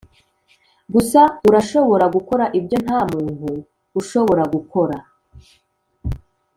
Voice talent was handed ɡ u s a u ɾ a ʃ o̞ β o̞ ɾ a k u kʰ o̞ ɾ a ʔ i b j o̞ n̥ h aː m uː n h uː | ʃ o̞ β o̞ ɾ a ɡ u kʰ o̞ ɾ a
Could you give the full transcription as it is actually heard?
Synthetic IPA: ɡ u s a u ɾ a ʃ o̞ β o̞ ɾ a ɡ u k o̞ ɾ a ʔ i b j o̞ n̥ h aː m uː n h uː | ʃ o̞ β o̞ ɾ a ɡ u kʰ o̞ ɾ a